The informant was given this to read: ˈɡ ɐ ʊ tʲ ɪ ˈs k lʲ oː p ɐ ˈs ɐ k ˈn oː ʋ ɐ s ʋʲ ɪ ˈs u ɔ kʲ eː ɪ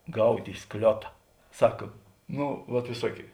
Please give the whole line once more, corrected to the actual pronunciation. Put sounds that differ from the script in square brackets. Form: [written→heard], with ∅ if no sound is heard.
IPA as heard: ˈɡ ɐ ʊ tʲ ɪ ˈs k lʲ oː [p→t] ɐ ˈs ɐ k ˈn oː ʋ ɐ [s→t] ʋʲ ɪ ˈs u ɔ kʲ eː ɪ